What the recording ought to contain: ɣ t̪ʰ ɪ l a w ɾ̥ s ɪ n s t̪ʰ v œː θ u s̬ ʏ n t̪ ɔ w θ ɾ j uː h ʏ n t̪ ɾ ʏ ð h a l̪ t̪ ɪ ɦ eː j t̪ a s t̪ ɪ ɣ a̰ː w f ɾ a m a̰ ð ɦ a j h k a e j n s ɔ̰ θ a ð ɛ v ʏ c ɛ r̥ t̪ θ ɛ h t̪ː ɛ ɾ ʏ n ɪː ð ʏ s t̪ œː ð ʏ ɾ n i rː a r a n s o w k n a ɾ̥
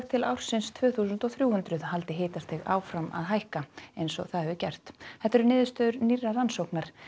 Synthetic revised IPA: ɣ t̪ʰ ɪ l a w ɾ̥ s ɪ n s t̪ʰ v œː θ u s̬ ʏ n t̪ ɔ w θ ɾ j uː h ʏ n t̪ ɾ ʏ ð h a l̪ t̪ ɪ ɦ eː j t̪ a s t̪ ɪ ɣ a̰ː w f ɾ a m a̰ ð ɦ a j h k a e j n s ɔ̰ θ a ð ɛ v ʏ c ɛ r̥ t̪ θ ɛ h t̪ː ɛ ɾ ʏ n ɪː ð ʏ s t̪ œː ð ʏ ɾ n i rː a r a n s o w k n a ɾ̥